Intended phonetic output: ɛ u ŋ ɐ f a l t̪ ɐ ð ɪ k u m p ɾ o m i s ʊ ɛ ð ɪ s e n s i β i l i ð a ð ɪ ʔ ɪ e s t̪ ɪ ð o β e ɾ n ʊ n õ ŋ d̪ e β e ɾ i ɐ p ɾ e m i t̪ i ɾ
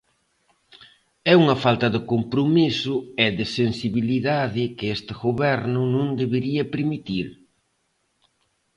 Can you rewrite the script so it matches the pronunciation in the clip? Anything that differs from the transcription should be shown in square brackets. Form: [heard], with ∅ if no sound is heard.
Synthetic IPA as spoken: ɛ u ŋ ɐ f a l t̪ ɐ ð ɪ k [o] m p ɾ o m i s ʊ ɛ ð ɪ s e n s i β i l i ð a ð ɪ [k] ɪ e s t̪ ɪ [ɣ] o β [ɛ] ɾ n ʊ n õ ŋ d̪ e β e ɾ i ɐ p ɾ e m i t̪ i ɾ